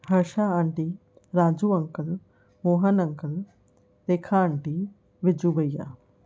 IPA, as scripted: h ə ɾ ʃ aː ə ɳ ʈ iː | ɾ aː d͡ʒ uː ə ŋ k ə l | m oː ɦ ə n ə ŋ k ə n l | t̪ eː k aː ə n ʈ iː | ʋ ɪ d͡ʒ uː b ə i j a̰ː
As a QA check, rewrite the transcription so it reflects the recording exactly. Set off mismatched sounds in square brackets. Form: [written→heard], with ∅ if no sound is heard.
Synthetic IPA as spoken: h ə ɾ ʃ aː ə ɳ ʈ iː | ɾ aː d͡ʒ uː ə ŋ k ə l | m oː ɦ ə n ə ŋ k ə [n→∅] l | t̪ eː [k→kʰ] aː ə [n→ɳ] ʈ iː | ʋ ɪ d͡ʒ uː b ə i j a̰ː